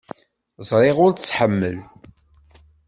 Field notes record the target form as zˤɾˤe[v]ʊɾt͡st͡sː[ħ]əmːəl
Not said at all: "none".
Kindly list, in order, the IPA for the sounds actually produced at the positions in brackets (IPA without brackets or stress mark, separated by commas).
ʁ, ħ